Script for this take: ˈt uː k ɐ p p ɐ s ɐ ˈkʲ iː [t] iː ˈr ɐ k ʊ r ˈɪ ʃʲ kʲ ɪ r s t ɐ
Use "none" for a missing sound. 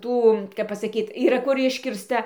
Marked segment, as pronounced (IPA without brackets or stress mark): t